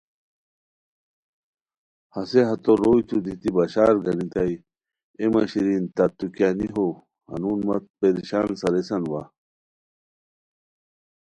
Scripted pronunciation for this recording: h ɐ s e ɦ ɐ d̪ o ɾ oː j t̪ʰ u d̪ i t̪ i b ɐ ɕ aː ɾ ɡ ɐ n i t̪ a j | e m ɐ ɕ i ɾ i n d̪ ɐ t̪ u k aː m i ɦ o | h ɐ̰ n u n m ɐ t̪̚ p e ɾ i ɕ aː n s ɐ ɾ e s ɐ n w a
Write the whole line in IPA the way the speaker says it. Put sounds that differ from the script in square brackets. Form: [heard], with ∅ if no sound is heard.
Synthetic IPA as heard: h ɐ s e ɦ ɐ [t̪] o ɾ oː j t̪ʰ u d̪ i t̪ i b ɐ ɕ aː ɾ ɡ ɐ n i t̪ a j | e m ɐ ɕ i ɾ i n [t̪] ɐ t̪ u k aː [n] i ɦ o | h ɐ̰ n u n m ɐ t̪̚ p e ɾ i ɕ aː n s ɐ ɾ e s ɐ n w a